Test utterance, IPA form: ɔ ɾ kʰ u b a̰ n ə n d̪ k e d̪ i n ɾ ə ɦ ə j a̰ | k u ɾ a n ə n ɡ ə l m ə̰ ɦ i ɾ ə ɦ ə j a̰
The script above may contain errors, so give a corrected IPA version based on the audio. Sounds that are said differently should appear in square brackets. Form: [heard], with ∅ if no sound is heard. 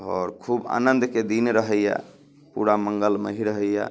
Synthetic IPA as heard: ɔ ɾ kʰ u b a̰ n ə n d̪ k e d̪ i n ɾ ə ɦ ə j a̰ | [p] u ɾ a [m] ə [ŋ] ɡ ə l m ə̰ ɦ i ɾ ə ɦ ə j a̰